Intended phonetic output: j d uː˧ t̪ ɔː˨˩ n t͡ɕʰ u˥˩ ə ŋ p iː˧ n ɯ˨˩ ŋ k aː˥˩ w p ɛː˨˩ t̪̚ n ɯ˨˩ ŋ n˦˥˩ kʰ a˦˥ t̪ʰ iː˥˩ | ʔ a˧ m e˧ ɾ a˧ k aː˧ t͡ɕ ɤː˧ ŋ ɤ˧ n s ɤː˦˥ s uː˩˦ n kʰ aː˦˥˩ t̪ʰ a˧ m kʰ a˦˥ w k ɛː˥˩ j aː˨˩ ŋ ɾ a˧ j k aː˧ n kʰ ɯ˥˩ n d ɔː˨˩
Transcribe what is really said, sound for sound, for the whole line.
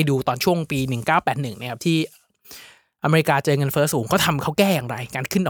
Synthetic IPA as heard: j d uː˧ t̪ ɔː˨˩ n t͡ɕʰ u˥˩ ə ŋ p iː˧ n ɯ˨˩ ŋ k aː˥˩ w p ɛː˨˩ t̪̚ n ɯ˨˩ ŋ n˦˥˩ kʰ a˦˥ t̪ʰ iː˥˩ | ʔ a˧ m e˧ ɾ i˧ k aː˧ t͡ɕ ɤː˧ ŋ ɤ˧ n f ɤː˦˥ s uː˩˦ ŋ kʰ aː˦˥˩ t̪ʰ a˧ m kʰ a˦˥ w k ɛː˥˩ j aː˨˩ ŋ ɾ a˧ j k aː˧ n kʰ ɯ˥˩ n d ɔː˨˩